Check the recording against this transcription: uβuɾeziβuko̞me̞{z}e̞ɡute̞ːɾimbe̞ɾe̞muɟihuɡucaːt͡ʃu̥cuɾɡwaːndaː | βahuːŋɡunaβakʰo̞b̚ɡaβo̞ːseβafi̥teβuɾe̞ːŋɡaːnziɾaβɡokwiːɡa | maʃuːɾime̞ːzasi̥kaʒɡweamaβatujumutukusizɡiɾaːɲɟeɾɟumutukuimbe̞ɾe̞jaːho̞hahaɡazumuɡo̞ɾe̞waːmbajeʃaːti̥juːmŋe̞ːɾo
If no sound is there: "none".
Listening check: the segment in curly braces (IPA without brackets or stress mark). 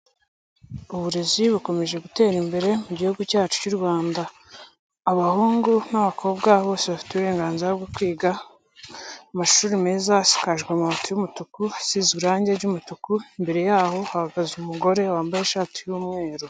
ʒ